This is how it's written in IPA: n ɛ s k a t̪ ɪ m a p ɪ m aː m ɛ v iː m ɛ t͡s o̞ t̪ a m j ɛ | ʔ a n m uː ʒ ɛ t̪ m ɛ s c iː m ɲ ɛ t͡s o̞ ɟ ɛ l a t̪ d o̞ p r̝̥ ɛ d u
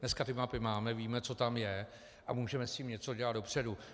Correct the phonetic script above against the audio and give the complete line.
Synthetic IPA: n ɛ s k a t̪ ɪ m a p ɪ m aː m ɛ v iː m ɛ t͡s o̞ t̪ a m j ɛ | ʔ a m uː ʒ ɛ m ɛ s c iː m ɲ ɛ t͡s o̞ ɟ ɛ l a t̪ d o̞ p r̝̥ ɛ d u